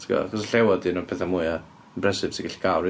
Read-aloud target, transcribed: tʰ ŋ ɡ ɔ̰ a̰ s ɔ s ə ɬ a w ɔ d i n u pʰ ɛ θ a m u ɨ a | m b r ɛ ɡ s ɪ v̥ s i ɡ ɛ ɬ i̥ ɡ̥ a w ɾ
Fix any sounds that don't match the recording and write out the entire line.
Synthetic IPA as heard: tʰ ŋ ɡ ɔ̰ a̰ χ ɔ s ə ɬ ɛ w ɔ d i n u pʰ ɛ θ a m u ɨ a | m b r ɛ s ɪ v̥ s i ɡ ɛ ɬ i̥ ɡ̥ a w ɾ